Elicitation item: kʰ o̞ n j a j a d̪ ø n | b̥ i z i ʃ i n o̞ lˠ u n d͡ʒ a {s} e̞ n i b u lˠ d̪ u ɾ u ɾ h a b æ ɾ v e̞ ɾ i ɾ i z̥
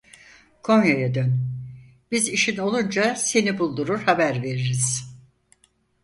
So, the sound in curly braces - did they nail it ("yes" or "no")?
yes